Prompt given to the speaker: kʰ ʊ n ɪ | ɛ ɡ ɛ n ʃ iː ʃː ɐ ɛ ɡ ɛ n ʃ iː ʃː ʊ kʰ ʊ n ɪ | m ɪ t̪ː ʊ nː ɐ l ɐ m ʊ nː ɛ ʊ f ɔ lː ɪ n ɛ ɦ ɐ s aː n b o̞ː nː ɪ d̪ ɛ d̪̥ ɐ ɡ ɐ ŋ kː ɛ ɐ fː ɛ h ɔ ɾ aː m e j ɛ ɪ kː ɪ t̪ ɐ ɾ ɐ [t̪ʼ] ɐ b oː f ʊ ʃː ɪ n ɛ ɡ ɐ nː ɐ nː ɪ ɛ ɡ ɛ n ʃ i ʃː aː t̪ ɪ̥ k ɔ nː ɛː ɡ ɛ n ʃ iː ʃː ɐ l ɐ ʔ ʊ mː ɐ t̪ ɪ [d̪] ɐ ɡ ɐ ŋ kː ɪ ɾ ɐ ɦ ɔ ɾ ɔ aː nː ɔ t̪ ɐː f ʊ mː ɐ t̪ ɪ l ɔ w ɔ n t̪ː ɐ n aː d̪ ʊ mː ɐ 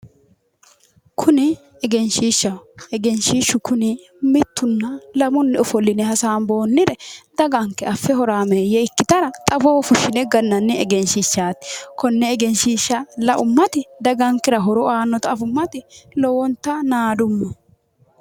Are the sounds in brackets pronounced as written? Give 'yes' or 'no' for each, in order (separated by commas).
yes, yes